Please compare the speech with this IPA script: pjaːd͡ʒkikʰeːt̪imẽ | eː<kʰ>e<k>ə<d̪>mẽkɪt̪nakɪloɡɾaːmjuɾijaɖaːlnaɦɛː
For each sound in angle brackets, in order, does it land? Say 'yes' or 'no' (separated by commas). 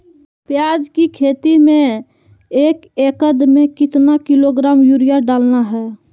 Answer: no, yes, yes